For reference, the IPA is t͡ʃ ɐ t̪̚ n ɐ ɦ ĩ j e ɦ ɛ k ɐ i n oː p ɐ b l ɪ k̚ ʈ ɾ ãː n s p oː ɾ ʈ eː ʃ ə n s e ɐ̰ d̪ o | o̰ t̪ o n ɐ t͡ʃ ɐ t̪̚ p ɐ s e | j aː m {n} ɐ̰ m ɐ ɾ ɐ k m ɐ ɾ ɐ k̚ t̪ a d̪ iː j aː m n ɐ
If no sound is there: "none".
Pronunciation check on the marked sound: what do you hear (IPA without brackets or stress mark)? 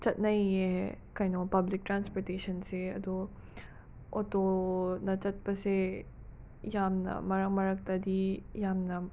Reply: n